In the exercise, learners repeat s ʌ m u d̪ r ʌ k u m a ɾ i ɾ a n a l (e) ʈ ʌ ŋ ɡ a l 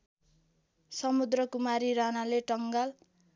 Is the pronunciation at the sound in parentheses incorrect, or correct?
correct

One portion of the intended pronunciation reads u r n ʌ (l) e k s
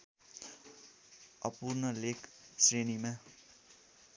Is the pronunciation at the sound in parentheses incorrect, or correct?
correct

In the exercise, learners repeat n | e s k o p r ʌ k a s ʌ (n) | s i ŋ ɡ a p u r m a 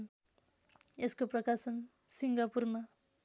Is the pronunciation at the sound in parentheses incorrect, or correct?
correct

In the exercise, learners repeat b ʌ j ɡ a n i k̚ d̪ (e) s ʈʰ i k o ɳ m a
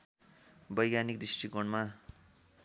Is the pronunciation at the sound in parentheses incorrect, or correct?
incorrect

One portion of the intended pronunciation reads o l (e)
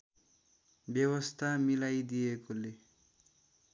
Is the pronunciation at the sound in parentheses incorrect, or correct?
correct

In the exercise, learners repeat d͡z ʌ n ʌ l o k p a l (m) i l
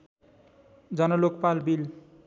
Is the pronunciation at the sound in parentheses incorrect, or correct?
incorrect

